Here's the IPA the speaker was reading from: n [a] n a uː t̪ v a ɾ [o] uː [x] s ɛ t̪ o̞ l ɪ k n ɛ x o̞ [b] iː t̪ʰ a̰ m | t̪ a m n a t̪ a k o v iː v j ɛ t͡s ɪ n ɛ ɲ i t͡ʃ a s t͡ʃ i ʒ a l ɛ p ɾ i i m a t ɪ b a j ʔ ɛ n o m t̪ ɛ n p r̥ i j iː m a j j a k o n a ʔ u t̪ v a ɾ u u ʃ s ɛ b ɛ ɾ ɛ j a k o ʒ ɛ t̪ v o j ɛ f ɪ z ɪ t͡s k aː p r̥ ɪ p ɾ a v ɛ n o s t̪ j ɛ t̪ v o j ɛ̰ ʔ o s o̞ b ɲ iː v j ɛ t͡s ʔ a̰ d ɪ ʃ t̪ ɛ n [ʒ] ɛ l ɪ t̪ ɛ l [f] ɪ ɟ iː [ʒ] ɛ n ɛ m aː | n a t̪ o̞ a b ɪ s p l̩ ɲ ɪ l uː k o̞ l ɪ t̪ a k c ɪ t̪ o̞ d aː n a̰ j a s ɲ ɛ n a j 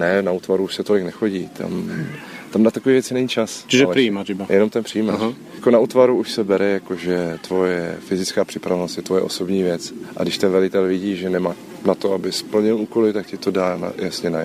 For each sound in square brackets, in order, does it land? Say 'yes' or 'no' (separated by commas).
no, no, no, no, no, no, yes